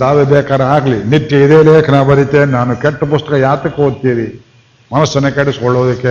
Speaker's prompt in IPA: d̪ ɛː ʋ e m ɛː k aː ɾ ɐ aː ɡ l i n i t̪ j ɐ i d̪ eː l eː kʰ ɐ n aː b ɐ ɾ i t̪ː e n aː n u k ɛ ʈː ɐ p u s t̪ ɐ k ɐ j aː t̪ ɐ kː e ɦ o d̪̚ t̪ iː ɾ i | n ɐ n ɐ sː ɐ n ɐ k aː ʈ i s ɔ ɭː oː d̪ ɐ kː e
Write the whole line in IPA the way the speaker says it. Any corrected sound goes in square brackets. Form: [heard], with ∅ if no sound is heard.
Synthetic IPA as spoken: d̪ [aː] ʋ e [b] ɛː k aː ɾ ɐ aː ɡ l i n i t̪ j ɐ i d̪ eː l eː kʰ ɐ n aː b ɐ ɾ i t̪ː e n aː n u k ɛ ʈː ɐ p u s t̪ ɐ k ɐ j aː t̪ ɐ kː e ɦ o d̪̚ t̪ iː ɾ i | [m] ɐ n ɐ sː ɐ n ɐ k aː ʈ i s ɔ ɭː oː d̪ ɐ kː e